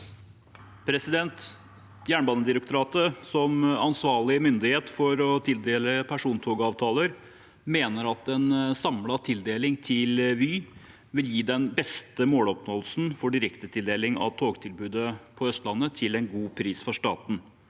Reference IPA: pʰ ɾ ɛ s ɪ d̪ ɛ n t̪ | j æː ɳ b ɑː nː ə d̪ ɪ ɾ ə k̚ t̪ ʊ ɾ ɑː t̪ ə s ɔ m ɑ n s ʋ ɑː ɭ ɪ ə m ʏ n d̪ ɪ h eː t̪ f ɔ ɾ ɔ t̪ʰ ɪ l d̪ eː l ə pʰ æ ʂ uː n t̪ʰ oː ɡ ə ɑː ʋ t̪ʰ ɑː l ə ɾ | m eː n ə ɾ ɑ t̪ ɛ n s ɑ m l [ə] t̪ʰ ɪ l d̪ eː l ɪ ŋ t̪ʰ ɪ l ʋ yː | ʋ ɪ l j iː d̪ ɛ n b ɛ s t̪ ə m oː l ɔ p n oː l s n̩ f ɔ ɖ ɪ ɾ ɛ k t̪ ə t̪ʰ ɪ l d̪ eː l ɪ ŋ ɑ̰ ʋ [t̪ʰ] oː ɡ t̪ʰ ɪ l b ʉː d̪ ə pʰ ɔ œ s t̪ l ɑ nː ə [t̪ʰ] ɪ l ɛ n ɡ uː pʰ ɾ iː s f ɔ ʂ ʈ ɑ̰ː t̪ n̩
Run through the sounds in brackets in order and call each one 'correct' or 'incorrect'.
incorrect, correct, correct

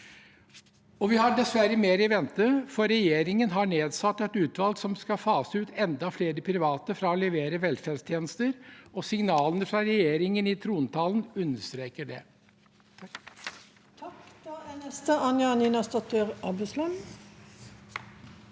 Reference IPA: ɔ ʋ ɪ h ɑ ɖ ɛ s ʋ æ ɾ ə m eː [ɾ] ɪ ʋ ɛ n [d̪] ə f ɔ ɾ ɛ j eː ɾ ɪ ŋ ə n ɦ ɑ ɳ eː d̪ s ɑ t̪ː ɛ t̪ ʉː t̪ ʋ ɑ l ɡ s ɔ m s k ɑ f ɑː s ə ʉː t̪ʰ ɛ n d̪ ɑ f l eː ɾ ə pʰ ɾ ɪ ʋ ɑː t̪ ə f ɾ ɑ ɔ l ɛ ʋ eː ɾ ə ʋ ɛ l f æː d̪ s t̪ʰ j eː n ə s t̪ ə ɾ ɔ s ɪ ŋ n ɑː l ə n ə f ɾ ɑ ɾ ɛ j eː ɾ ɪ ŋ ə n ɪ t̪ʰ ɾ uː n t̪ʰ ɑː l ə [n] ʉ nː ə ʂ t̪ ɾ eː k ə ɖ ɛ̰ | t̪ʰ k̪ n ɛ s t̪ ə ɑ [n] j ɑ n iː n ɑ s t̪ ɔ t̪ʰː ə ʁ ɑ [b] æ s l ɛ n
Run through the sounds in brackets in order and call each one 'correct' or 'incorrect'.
correct, incorrect, correct, correct, correct

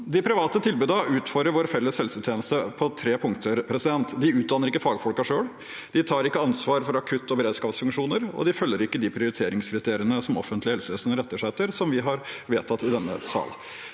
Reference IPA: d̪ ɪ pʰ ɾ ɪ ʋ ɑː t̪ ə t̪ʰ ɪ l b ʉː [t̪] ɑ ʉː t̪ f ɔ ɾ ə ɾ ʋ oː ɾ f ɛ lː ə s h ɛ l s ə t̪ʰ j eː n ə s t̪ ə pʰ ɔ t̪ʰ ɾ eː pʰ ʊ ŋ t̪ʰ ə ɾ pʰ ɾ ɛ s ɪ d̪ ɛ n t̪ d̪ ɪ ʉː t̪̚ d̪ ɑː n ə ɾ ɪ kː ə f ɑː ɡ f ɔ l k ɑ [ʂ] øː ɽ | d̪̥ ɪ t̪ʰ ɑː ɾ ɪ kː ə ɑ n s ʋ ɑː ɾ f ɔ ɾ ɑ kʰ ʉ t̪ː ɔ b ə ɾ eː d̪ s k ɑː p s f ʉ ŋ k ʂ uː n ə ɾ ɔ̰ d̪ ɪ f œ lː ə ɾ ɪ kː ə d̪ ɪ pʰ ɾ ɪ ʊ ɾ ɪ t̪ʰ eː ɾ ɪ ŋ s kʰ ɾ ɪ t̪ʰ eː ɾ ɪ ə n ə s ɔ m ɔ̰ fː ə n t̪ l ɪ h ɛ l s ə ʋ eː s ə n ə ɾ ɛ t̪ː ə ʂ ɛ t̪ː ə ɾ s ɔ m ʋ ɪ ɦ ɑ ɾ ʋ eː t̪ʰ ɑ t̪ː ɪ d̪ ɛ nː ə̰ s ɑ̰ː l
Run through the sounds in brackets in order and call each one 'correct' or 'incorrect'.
incorrect, correct

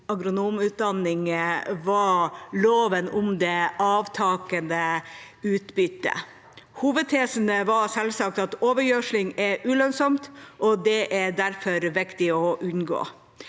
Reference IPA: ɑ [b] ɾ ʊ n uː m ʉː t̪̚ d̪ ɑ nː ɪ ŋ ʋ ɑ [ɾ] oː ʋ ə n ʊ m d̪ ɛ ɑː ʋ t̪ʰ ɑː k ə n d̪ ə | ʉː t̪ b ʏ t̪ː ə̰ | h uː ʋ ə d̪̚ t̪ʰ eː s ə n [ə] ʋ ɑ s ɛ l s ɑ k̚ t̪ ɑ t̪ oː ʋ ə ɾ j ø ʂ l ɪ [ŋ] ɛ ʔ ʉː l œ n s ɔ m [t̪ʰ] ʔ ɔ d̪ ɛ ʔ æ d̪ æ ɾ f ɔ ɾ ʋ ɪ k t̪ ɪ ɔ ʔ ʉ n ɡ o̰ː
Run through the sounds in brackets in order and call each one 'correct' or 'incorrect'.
incorrect, incorrect, correct, correct, incorrect

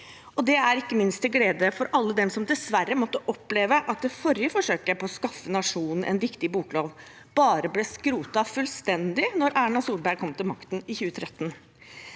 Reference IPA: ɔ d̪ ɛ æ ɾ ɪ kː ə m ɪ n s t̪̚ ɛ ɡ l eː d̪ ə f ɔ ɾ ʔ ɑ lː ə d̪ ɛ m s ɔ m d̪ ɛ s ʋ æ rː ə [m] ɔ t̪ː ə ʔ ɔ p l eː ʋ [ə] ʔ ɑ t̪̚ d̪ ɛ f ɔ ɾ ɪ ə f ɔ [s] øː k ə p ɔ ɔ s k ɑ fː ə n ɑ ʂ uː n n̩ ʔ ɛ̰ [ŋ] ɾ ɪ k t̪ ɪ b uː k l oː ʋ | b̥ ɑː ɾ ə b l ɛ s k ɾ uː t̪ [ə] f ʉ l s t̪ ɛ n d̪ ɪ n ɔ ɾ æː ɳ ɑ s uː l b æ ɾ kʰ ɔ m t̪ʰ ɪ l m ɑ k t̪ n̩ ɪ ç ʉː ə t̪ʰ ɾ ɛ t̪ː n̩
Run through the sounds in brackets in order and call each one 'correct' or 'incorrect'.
correct, correct, incorrect, incorrect, incorrect

